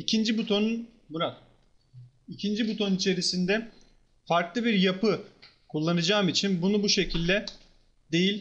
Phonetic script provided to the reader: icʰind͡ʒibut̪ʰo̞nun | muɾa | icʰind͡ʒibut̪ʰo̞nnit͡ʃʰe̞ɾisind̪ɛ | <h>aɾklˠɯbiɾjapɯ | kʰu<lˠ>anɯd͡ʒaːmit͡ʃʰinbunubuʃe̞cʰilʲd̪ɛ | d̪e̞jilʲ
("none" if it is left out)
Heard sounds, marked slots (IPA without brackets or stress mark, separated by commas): f, lˠː